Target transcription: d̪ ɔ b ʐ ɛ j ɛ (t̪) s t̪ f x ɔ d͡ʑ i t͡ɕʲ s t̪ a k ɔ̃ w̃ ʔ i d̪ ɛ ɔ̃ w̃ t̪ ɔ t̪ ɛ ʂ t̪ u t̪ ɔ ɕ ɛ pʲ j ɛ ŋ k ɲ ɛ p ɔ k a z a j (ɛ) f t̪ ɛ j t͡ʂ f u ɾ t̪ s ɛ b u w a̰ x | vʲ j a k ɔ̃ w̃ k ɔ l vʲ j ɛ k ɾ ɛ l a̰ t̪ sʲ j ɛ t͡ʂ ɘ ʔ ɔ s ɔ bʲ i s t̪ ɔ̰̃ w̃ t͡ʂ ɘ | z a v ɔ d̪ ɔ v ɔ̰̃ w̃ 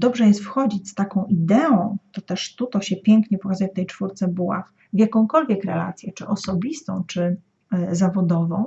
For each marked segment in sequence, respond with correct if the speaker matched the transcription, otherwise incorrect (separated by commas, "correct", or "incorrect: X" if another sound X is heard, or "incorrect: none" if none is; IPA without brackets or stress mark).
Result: incorrect: none, correct